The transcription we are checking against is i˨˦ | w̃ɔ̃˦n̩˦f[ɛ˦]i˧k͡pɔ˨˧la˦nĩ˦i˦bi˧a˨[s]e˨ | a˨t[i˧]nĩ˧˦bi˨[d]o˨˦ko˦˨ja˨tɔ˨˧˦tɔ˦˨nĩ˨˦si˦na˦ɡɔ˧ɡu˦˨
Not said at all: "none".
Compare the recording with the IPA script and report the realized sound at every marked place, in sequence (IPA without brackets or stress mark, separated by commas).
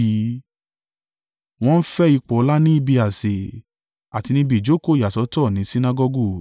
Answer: ɛ˦, s, i˧, d͡ʒ